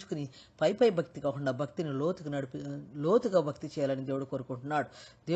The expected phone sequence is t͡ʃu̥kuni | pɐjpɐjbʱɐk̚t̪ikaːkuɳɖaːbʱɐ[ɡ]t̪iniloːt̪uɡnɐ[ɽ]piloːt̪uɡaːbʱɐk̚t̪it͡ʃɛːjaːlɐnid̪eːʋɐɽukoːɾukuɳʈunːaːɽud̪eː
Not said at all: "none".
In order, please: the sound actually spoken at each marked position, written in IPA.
k, ɽ

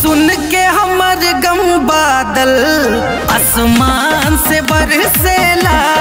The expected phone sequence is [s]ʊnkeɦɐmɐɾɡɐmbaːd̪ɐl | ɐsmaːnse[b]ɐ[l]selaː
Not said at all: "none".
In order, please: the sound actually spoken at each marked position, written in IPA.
s, b, ɾ

